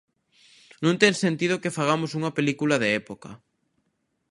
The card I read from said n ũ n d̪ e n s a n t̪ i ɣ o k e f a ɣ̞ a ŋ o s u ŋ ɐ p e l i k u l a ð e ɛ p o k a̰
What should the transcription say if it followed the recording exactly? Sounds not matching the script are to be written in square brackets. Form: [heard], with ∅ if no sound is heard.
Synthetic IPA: n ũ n [t̪] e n s [e] n t̪ i [ð] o k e f a ɣ̞ a [m] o s u ŋ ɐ p e l i k u l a ð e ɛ p o k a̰